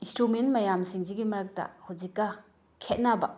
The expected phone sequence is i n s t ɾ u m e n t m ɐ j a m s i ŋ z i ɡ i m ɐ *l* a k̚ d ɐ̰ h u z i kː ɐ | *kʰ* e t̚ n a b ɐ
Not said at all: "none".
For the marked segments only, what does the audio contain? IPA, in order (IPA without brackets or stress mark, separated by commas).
ɾ, kʰ